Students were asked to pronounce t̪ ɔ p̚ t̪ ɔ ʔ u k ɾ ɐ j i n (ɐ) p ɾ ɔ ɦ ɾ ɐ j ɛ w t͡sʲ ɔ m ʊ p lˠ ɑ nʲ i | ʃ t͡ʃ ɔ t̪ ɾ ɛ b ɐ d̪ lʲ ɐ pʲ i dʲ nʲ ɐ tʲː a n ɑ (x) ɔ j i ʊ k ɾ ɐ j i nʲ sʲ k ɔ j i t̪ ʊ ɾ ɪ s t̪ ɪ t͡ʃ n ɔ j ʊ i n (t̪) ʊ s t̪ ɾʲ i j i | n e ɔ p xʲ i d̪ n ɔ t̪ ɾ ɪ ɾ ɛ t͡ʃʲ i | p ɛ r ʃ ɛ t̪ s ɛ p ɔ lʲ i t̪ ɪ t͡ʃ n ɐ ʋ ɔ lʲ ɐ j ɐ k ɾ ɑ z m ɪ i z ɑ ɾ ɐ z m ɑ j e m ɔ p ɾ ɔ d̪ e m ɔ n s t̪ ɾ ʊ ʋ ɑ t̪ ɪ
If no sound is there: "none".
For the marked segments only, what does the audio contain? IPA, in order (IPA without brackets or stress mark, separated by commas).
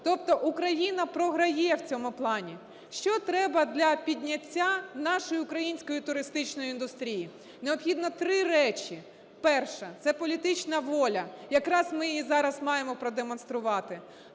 ɐ, ʃ, d̪